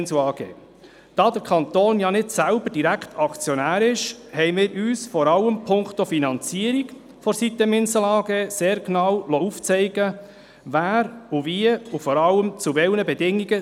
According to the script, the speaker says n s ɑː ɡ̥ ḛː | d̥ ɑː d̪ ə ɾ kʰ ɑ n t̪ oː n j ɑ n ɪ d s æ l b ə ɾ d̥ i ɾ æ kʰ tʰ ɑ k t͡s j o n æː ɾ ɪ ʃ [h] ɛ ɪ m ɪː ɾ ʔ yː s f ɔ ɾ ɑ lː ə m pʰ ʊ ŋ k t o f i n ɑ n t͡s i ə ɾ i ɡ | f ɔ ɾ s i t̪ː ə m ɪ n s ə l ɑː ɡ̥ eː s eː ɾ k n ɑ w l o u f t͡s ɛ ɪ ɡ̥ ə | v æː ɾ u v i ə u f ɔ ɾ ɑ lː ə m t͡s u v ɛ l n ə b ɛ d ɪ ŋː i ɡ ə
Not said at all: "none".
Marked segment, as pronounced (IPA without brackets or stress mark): h